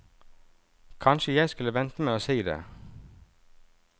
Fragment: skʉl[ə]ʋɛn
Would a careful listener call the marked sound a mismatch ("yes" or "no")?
no